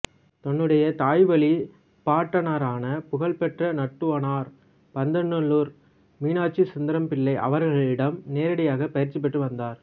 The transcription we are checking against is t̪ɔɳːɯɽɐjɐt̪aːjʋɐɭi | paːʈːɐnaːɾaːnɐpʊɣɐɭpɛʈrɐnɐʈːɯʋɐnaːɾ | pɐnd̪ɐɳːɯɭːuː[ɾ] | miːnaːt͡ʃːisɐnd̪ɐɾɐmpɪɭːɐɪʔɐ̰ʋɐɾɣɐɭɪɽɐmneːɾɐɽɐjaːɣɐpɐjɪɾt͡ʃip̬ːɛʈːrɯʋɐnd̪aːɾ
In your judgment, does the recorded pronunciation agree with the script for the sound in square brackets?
yes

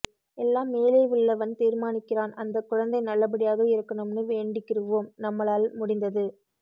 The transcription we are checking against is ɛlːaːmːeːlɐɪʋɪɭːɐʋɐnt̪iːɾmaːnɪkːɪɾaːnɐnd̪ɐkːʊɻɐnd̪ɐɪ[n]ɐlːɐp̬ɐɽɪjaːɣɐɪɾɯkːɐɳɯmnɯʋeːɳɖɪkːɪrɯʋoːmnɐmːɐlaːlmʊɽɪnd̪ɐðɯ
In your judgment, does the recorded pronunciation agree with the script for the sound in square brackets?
yes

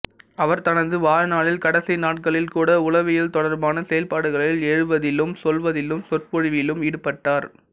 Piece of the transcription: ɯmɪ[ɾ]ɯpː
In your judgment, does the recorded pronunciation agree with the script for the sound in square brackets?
no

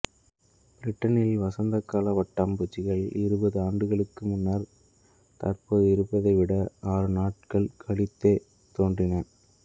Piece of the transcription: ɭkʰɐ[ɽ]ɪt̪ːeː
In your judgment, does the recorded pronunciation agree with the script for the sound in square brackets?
no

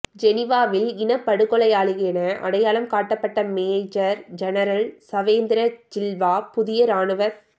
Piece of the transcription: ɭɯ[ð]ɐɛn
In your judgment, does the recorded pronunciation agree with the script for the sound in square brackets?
no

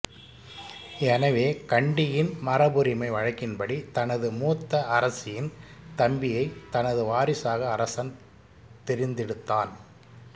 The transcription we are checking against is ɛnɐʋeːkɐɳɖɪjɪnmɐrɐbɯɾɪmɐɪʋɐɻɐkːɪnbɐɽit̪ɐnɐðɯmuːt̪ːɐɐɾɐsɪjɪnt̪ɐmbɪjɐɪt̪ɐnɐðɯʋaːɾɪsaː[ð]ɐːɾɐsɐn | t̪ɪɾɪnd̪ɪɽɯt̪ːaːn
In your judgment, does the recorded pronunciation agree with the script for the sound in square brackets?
no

